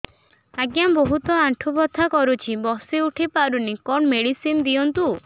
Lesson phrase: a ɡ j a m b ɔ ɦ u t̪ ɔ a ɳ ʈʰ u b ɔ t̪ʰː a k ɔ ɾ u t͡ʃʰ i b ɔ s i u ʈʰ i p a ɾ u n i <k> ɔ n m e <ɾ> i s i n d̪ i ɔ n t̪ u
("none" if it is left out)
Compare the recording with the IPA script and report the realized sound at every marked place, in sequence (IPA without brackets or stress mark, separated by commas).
k, ɽ